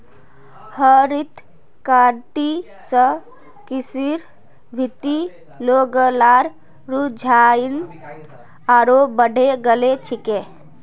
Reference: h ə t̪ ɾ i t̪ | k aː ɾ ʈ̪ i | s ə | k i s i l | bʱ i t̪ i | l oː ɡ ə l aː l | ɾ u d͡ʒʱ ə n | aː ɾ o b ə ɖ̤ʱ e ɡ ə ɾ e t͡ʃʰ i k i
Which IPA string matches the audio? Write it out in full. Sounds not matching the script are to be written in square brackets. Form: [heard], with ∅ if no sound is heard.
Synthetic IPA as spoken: h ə [∅] ɾ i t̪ | k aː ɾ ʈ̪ i | s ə | k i s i [ɾ] | bʱ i t̪ i | l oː ɡ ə l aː [ɾ] | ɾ u d͡ʒʱ [a] n | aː ɾ o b ə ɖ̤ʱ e ɡ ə [l] e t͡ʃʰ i k [e]